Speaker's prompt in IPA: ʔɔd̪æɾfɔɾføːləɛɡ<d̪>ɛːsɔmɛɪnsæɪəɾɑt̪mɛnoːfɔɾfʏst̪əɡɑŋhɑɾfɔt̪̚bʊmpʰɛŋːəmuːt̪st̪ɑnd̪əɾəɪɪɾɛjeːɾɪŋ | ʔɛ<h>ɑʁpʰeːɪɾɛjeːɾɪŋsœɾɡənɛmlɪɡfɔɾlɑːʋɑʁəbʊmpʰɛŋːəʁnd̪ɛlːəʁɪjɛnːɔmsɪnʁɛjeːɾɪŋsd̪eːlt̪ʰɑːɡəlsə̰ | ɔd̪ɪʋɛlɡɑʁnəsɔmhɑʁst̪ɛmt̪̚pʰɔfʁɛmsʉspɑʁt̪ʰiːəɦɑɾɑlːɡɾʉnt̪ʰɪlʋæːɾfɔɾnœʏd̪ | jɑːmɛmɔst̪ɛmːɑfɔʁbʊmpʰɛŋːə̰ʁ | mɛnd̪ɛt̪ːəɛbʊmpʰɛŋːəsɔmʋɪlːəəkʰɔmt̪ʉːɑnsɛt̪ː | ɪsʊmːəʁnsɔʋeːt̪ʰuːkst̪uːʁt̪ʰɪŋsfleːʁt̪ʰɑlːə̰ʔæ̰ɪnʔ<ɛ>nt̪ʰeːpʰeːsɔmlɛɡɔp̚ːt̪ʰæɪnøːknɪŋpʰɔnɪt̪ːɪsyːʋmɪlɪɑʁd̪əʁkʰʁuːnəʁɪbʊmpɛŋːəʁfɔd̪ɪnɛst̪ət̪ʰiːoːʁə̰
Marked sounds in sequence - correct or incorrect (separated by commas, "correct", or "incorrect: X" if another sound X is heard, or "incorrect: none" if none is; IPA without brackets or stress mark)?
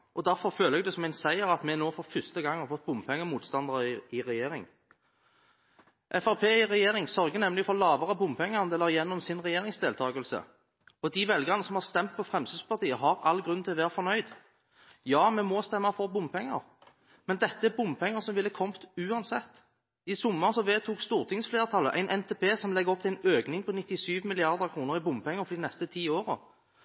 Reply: correct, incorrect: f, correct